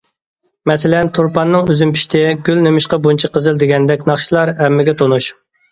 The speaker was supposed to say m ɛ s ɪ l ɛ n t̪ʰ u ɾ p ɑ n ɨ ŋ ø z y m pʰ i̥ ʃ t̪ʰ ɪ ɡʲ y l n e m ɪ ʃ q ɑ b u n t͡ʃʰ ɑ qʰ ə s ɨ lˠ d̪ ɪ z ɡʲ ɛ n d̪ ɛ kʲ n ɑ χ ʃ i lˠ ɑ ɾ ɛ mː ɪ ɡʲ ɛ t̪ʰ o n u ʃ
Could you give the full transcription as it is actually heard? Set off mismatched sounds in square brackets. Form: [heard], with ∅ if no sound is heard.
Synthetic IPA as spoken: m ɛ s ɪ l ɛ n t̪ʰ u ɾ p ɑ [nː] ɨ ŋ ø z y m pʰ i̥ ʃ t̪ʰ ɪ ɡʲ y l n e m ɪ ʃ q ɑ b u n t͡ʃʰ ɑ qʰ ə [z] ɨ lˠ d̪ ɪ [∅] ɡʲ ɛ n d̪ ɛ kʲ n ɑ χ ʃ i lˠ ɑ ɾ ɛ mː ɪ ɡʲ ɛ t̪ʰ o n u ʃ